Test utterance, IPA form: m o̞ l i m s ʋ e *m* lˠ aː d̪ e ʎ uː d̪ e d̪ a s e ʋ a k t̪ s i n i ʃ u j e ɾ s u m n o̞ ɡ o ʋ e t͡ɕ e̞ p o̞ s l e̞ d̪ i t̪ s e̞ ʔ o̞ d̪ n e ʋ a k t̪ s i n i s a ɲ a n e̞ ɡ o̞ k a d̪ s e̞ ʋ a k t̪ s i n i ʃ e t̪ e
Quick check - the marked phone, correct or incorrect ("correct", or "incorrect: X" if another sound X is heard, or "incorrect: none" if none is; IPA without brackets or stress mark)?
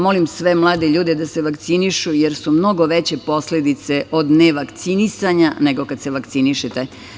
correct